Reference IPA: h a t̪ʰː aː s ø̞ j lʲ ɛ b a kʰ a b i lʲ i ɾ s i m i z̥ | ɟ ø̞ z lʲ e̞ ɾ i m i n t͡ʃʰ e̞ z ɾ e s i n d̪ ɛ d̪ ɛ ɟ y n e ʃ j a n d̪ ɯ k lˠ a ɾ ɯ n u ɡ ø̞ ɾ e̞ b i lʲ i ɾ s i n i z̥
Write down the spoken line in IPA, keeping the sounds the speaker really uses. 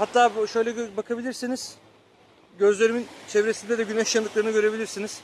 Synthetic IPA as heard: h a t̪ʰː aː ʃ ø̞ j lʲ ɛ b a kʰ a b i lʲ i ɾ s i n i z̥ | ɟ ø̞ z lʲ e̞ ɾ i m i n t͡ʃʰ e̞ v ɾ e s i n d̪ ɛ d̪ ɛ ɟ y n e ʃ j a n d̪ ɯ k lˠ a ɾ ɯ n ɯ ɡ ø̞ ɾ e̞ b i lʲ i ɾ s i n i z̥